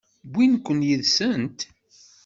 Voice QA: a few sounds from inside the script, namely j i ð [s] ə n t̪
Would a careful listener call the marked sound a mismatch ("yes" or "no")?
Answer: no